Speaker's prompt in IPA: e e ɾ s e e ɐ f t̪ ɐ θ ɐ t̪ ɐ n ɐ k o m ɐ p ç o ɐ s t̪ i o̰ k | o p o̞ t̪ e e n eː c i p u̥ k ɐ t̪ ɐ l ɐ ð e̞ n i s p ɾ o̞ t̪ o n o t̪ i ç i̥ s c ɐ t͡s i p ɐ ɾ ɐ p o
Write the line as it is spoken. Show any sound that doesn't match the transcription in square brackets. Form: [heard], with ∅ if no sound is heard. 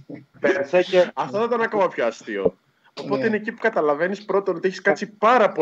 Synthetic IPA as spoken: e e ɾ s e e ɐ f t̪ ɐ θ ɐ t̪ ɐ n ɐ k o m ɐ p ç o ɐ s t̪ i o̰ [∅] | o p o̞ t̪ e [i] n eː c i p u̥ k ɐ t̪ ɐ l ɐ [v] e̞ n i s p ɾ o̞ t̪ o n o t̪ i ç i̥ s [k] ɐ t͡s i p ɐ ɾ ɐ p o